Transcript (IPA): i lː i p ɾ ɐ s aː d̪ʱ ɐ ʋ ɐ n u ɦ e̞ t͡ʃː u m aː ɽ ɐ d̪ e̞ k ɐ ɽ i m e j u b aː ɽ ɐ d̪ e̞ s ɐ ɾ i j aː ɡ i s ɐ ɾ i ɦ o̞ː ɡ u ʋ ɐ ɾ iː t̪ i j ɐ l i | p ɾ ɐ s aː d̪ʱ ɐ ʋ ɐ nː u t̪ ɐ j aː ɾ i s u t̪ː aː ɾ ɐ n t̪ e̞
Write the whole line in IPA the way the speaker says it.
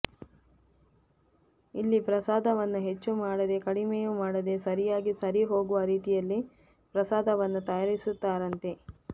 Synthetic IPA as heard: i lː i p ɾ ɐ s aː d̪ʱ ɐ ʋ ɐ nː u ɦ e̞ t͡ʃː u m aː ɽ ɐ d̪ e̞ k ɐ ɽ i m e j u m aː ɽ ɐ d̪ e̞ s ɐ ɾ i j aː ɡ i s ɐ ɾ i ɦ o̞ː ɡ u ʋ ɐ ɾ iː t̪ i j ɐ lː i | p ɾ ɐ s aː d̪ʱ ɐ ʋ ɐ nː u t̪ ɐ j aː ɾ i s u t̪ː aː ɾ ɐ n t̪ e̞

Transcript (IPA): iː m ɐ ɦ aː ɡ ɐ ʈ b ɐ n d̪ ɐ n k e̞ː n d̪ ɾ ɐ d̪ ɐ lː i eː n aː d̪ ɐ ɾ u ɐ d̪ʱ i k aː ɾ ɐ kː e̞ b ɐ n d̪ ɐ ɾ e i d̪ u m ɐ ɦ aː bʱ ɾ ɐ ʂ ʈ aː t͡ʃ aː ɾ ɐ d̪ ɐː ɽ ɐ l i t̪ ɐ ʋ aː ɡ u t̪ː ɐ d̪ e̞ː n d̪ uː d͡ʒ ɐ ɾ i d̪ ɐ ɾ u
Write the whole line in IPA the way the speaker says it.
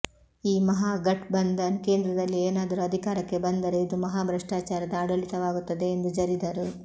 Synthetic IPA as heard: iː m ɐ ɦ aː ɡ ɐ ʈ b ɐ n d̪ ɐ n k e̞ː n d̪ ɾ ɐ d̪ ɐ lː i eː n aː d̪ ɐ ɾ u ɐ d̪ʱ i k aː ɾ ɐ kː e̞ b ɐ n d̪ ɐ ɾ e i d̪ u m ɐ ɦ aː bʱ ɾ ɐ ʂ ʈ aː t͡ʃ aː ɾ ɐ d̪ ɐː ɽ ɐ l i t̪ ɐ ʋ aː ɡ u t̪ː ɐ d̪ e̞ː n d̪ u d͡ʒ ɐ ɾ i d̪ ɐ ɾ u

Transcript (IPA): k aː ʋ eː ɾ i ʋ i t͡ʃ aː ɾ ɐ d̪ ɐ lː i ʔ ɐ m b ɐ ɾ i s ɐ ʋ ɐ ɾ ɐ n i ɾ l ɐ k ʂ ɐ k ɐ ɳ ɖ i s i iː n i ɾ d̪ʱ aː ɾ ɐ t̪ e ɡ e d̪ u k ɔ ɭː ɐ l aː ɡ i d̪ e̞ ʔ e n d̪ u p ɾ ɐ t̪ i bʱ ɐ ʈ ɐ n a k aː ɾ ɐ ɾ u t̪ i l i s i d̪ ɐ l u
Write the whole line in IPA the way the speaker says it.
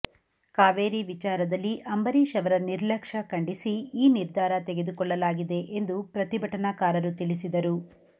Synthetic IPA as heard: k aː ʋ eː ɾ i ʋ i t͡ʃ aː ɾ ɐ d̪ ɐ lː i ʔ ɐ m b ɐ ɾ i ʃ ɐ ʋ ɐ ɾ ɐ n i ɾ l ɐ k ʂ ɐ k ɐ ɳ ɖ i s i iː n i ɾ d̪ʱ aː ɾ ɐ t̪ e ɡ e d̪ u k ɔ ɭː ɐ l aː ɡ i d̪ e̞ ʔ e n d̪ u p ɾ ɐ t̪ i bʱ ɐ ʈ ɐ n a k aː ɾ ɐ ɾ u t̪ i l i s i d̪ ɐ ɾ u

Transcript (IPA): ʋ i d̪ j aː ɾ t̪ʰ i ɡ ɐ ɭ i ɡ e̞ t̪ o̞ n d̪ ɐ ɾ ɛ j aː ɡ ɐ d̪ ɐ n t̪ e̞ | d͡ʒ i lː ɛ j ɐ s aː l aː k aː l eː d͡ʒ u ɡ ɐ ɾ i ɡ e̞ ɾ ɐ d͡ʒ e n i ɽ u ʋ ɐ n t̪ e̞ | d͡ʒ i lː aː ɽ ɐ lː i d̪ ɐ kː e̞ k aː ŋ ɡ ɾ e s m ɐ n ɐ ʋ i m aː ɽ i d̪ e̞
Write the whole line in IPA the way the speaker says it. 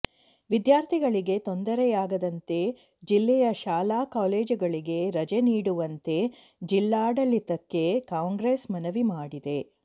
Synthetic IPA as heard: ʋ i d̪ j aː ɾ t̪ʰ i ɡ ɐ ɭ i ɡ e̞ t̪ o̞ n d̪ ɐ ɾ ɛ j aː ɡ ɐ d̪ ɐ n t̪ e̞ | d͡ʒ i lː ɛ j ɐ ʃ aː l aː k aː l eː d͡ʒ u ɡ ɐ ɭ i ɡ e̞ ɾ ɐ d͡ʒ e n iː ɽ u ʋ ɐ n t̪ e̞ | d͡ʒ i lː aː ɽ ɐ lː i t̪ ɐ kː e̞ k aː ŋ ɡ ɾ e s m ɐ n ɐ ʋ i m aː ɽ i d̪ e̞

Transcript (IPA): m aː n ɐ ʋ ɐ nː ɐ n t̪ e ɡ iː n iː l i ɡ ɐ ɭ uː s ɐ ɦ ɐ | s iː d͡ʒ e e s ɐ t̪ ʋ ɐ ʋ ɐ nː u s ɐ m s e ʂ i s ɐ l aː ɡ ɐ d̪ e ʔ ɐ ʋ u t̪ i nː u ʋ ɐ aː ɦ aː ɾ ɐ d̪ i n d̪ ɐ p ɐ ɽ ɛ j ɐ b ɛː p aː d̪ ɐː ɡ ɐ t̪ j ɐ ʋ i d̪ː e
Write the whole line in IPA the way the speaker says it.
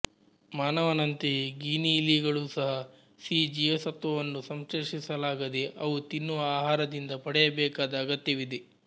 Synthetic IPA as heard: m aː n ɐ ʋ ɐ n ɐ n t̪ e ɡ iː n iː l i ɡ ɐ ɭ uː s ɐ ɦ ɐ | s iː d͡ʒ i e s ɐ t̪ ʋ ɐ ʋ ɐ nː u s ɐ m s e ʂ i s ɐ l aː ɡ ɐ d̪ e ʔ ɐ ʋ u t̪ i nː u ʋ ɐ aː ɦ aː ɾ ɐ d̪ i n d̪ ɐ p ɐ ɽ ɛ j ɐ b ɛː k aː d̪ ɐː ɡ ɐ t̪ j ɐ ʋ i d̪ e

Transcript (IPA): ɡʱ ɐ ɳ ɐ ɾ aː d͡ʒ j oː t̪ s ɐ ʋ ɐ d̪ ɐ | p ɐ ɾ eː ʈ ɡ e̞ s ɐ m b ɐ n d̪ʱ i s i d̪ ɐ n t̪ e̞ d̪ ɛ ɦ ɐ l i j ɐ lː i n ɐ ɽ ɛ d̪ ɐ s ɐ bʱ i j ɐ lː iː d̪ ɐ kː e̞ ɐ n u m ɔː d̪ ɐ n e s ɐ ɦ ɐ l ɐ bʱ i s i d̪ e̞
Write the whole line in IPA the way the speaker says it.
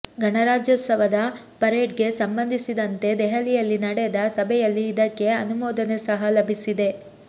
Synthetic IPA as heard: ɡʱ ɐ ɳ ɐ ɾ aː d͡ʒ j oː t̪ s ɐ ʋ ɐ d̪ ɐ | p ɐ ɾ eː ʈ ɡ e̞ s ɐ m b ɐ n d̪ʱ i s i d̪ ɐ n t̪ e̞ d̪ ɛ ɦ ɐ l i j ɐ lː i n ɐ ɽ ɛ d̪ ɐ s ɐ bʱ ɛ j ɐ lː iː d̪ ɐ kː e̞ ɐ n u m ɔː d̪ ɐ n e s ɐ ɦ ɐ l ɐ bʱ i s i d̪ e̞

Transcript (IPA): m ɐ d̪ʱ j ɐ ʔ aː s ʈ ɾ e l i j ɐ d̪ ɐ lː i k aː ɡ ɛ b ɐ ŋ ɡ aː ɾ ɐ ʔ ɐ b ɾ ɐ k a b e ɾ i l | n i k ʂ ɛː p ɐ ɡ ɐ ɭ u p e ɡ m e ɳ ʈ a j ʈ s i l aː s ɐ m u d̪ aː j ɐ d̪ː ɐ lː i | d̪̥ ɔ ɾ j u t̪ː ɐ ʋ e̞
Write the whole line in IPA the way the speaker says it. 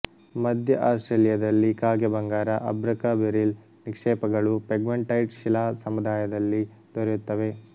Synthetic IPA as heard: m ɐ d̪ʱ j ɐ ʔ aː s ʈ ɾ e l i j ɐ d̪ ɐ lː i k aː ɡ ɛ b ɐ ŋ ɡ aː ɾ ɐ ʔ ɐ b ɾ ɐ k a b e ɾ i l | n i k ʂ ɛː p ɐ ɡ ɐ ɭ u p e ɡ m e ɳ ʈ ɐ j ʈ ʃ i l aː s ɐ m u d̪ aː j ɐ d̪ ɐ lː i | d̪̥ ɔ ɾ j u t̪ː ɐ ʋ e̞

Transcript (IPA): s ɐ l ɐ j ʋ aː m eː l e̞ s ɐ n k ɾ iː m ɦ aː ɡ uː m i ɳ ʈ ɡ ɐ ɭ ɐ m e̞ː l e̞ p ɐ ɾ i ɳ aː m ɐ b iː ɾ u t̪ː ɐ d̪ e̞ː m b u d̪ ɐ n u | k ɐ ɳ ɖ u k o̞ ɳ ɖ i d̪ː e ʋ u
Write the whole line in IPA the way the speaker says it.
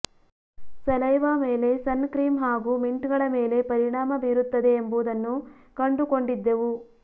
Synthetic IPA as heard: s ɐ l ɐ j ʋ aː m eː l e̞ s ɐ n k ɾ iː m ɦ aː ɡ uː m i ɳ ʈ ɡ ɐ ɭ ɐ m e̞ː l e̞ p ɐ ɾ i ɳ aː m ɐ b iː ɾ u t̪ː ɐ d̪ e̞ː m b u d̪ ɐ nː u | k ɐ ɳ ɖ u k o̞ ɳ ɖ i d̪ː e ʋ u

